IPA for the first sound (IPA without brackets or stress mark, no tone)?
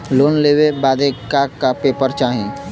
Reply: l